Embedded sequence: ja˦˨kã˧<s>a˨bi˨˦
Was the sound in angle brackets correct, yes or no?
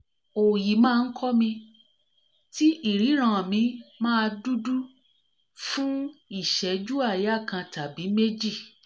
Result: no